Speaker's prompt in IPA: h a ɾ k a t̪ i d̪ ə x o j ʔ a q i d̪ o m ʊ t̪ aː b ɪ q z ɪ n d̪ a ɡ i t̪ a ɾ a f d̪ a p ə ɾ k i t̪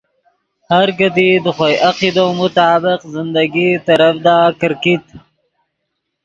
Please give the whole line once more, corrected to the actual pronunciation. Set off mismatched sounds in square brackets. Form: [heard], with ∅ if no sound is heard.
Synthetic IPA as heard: h a ɾ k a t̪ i d̪ ə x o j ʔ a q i d̪ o m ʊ t̪ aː b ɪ q z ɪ n d̪ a ɡ i t̪ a ɾ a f d̪ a [k] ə ɾ k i t̪